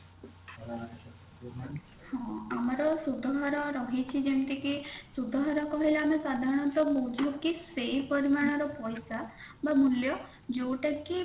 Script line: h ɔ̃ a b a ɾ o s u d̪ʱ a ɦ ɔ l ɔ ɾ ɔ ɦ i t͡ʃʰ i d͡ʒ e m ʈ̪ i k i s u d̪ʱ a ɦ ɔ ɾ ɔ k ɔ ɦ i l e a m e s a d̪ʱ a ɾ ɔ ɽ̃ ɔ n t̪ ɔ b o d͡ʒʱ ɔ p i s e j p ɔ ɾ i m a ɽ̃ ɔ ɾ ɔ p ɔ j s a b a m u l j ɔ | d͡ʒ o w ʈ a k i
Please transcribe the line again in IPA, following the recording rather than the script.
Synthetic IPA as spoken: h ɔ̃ a m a ɾ ɔ s u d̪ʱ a ɦ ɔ ɾ ɔ ɾ ɔ ɦ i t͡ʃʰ i d͡ʒ e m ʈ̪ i k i s u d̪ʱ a ɦ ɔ ɾ ɔ k ɔ ɦ i l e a m e s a d̪ʱ a ɾ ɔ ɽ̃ ɔ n t̪ ɔ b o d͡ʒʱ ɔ k i s e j p ɔ ɾ i m a ɽ̃ ɔ ɾ ɔ p ɔ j s a b a m u l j ɔ | d͡ʒ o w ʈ a k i